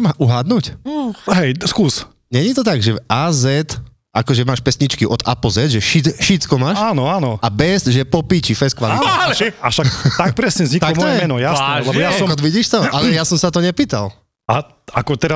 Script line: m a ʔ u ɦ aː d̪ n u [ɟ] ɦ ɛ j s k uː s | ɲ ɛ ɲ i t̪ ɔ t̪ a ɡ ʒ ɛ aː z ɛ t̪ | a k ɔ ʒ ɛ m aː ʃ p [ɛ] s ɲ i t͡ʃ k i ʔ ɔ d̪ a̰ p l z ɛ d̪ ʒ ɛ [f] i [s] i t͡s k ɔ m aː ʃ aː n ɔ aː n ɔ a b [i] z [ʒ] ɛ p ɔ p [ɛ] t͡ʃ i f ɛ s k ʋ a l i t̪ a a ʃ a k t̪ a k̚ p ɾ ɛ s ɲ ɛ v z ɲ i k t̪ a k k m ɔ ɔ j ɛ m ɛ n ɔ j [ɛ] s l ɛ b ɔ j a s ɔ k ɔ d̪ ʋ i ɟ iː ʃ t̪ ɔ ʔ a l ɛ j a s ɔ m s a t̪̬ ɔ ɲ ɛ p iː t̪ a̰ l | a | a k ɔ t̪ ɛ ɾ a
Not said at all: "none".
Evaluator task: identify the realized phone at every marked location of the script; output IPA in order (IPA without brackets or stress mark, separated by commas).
c, ɛ, ʃ, ʃ, ɛ, ʒ, i, a